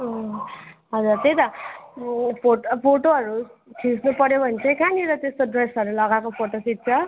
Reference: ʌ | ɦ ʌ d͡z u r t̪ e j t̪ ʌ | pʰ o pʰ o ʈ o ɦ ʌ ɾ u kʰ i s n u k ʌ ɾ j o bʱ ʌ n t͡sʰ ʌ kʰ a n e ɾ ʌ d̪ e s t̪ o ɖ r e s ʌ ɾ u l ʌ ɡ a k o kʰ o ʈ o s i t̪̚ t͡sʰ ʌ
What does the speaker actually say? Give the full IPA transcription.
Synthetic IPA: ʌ | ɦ ʌ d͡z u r t̪ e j t̪ ʌ | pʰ o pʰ o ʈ o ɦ ʌ ɾ u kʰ i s n u p ʌ ɾ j o bʱ ʌ n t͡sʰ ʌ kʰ a n i ɾ ʌ t̪ e s t̪ o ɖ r e s ʌ ɾ u l ʌ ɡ a k o pʰ o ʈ o s i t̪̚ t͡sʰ ʌ

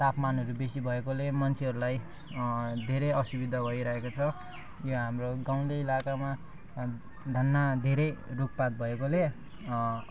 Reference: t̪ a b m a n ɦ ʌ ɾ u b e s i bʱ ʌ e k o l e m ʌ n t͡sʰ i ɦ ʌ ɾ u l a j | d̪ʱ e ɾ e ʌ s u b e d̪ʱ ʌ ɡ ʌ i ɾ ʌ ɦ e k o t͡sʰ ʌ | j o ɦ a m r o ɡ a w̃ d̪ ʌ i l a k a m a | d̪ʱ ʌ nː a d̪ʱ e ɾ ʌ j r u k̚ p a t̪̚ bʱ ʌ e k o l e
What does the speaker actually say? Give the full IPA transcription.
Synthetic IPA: t̪ a p m a n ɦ ʌ ɾ u b e s i bʱ ʌ e k o l e m ʌ n t͡sʰ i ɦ ʌ ɾ u l a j | d̪ʱ e ɾ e ʌ s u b i d̪ʱ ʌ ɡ ʌ i ɾ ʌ ɦ e k o t͡sʰ ʌ | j o ɦ a m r o ɡ a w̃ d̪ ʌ i l a k a m a | d̪ʱ ʌ nː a d̪ʱ e ɾ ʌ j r u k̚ p a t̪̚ bʱ ʌ e k o l e

